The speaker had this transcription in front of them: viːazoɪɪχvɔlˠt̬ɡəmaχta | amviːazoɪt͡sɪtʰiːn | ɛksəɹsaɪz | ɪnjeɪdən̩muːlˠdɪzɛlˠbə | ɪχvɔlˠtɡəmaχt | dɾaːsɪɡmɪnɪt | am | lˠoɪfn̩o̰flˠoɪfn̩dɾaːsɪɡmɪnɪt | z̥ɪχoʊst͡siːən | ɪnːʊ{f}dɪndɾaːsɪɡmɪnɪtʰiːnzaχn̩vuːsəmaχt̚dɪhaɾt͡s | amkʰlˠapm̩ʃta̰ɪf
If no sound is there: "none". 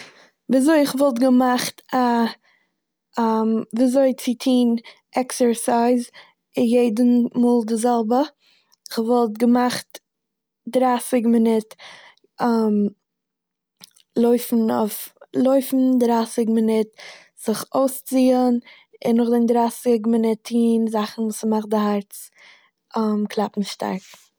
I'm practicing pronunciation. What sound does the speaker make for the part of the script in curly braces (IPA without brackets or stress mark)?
χ